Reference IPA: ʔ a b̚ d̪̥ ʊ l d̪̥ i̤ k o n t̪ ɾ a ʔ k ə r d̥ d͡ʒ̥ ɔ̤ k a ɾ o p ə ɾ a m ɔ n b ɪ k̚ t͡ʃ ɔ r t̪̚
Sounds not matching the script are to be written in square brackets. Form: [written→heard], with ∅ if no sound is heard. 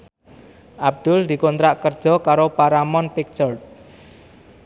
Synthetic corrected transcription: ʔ a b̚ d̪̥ ʊ l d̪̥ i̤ k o n t̪ ɾ a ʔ k ə r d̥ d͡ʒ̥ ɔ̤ k a ɾ o p [ə→a] ɾ a m ɔ n [b→p] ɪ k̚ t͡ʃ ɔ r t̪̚